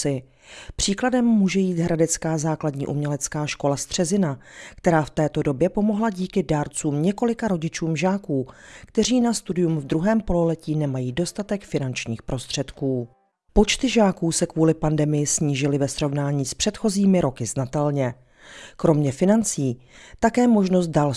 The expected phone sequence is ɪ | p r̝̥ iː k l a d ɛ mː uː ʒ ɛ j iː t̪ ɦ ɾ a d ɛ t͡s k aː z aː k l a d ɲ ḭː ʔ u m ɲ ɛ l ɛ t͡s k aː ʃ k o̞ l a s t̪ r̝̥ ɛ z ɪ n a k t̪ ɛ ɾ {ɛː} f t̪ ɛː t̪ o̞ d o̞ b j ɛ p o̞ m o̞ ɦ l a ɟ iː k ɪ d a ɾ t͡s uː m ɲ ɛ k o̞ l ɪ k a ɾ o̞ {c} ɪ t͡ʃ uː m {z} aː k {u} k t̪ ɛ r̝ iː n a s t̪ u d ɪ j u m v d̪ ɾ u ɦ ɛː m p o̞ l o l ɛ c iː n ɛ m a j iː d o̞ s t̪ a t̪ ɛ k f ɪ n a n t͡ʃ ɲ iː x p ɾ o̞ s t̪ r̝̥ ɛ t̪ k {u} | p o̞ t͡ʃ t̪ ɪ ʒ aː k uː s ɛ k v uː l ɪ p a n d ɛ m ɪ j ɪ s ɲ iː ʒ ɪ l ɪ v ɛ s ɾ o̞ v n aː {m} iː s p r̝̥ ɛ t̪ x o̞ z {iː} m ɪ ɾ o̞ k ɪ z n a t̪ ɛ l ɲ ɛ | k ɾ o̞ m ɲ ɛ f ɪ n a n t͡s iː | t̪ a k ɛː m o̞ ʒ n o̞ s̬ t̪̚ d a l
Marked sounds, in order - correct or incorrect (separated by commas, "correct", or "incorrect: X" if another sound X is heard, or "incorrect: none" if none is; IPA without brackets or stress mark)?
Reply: incorrect: aː, incorrect: ɟ, incorrect: ʒ, incorrect: uː, incorrect: uː, incorrect: ɲ, correct